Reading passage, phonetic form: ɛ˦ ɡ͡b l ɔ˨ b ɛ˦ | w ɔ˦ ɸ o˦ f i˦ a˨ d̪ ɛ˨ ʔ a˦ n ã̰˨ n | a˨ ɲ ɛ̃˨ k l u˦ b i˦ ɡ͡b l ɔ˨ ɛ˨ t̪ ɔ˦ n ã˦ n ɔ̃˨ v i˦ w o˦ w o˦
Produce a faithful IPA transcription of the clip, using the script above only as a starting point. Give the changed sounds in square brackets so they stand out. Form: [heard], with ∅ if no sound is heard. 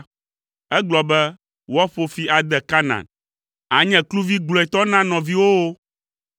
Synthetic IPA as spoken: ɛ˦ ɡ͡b l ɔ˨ b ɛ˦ | w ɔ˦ ɸ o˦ f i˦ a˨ d̪ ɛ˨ [k] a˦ n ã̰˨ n | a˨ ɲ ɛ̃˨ k l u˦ [v] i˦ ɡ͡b l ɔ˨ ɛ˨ t̪ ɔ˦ n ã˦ n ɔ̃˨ v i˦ w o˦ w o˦